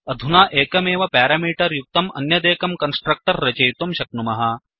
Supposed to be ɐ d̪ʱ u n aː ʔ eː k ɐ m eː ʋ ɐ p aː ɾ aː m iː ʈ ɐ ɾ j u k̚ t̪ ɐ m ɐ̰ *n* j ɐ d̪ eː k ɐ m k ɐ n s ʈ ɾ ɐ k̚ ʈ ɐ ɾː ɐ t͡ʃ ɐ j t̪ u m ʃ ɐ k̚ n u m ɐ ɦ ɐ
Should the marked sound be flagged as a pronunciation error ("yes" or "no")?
no